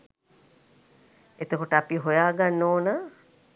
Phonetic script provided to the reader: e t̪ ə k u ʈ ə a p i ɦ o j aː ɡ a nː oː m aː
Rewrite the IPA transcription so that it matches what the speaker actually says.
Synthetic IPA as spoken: e t̪ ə k o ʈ ə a p i ɦ o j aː ɡ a nː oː n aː